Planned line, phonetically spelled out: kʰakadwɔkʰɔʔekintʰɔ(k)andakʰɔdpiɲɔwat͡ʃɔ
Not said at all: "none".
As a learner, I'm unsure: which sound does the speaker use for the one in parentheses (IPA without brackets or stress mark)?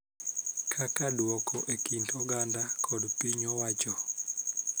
ɡ